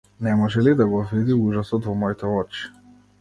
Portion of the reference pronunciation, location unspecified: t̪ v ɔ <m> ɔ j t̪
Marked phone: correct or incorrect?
correct